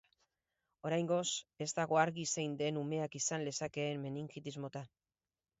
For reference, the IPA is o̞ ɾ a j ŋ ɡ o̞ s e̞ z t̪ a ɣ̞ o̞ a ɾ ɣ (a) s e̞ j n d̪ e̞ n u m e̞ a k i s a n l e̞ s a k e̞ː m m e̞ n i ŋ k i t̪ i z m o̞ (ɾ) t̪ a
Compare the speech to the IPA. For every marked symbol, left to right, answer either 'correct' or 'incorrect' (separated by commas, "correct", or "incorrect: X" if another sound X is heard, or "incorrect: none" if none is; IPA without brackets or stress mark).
incorrect: i, incorrect: none